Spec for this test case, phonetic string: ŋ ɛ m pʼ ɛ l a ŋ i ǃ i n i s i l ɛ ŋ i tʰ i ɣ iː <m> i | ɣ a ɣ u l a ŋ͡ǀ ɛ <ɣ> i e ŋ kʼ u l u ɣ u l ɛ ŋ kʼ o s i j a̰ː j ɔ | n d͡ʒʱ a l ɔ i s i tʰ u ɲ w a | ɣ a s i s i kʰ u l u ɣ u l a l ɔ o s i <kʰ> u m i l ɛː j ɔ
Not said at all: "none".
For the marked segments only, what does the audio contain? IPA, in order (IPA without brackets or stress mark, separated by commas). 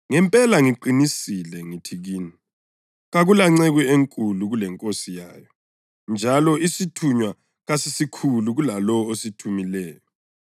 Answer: n, ɣ, tʰ